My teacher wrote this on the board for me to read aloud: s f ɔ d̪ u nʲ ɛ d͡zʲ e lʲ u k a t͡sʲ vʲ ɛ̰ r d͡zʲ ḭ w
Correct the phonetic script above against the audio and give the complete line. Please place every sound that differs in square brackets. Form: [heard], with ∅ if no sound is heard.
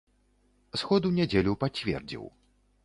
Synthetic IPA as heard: s [x] ɔ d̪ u nʲ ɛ d͡zʲ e lʲ u [p] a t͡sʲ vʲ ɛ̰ r d͡zʲ ḭ w